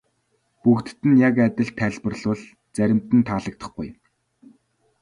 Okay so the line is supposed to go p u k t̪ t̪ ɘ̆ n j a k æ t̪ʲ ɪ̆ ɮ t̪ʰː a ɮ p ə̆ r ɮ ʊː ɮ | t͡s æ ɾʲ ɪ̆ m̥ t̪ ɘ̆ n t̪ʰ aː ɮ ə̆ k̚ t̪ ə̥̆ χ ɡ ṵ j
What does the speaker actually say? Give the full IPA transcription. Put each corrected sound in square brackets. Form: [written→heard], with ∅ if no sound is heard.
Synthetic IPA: p u k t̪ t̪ ɘ̆ n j a k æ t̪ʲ ɪ̆ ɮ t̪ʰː [a→æ] ɮ p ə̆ r ɮ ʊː ɮ | t͡s æ ɾʲ ɪ̆ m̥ t̪ ɘ̆ n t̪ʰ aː ɮ ə̆ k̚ t̪ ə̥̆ χ ɡ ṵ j